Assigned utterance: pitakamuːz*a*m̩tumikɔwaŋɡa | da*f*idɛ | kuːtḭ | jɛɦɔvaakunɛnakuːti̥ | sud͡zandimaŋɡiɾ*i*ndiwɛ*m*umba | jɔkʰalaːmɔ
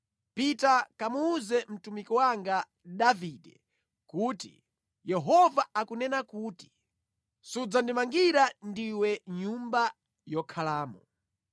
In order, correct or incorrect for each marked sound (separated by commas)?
incorrect, incorrect, incorrect, incorrect